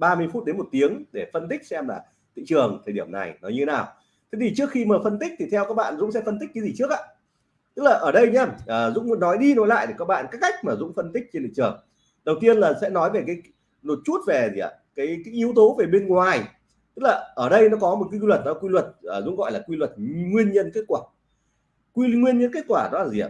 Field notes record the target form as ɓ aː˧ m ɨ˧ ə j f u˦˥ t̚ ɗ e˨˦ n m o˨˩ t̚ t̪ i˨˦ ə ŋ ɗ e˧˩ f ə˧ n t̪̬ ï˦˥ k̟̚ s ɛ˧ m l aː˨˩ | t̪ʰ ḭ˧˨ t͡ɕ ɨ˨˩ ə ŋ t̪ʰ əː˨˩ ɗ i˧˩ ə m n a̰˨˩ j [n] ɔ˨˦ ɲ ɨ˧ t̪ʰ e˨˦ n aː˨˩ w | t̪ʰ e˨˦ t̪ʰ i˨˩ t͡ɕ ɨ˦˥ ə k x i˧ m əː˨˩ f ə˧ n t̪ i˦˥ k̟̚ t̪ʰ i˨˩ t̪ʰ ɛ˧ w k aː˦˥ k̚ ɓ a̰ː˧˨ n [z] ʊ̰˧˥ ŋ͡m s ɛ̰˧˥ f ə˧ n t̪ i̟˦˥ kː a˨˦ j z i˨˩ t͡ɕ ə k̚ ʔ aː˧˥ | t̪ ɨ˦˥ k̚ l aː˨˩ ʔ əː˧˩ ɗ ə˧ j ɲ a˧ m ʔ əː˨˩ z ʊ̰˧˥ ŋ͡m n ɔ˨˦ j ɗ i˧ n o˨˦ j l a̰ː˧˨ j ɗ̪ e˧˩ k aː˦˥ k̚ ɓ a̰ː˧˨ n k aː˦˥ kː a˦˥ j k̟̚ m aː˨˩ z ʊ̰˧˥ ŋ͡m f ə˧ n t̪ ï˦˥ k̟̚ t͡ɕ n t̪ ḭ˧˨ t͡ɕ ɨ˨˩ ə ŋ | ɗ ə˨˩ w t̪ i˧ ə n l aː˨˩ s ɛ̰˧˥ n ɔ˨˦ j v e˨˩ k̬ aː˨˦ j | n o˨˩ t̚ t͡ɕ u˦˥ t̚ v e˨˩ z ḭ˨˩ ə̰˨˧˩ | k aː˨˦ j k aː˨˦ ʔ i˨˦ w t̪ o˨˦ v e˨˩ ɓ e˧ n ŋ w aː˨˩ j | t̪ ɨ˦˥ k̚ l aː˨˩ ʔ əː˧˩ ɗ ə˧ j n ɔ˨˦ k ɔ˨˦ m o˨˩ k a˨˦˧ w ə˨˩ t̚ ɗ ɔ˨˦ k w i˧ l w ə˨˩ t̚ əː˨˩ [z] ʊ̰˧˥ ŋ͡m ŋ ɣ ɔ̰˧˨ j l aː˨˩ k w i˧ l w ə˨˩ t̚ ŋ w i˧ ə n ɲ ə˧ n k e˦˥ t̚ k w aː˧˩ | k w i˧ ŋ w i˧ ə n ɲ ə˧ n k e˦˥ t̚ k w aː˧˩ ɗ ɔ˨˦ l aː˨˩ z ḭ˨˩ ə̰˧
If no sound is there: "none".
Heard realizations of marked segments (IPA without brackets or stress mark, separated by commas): n, z, z